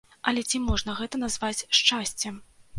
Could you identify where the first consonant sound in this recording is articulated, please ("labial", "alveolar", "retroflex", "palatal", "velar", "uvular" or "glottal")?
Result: alveolar